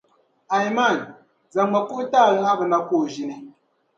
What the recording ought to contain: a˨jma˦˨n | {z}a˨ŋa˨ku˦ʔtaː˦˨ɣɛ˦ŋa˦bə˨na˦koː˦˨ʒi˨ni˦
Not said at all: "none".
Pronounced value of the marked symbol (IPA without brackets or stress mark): z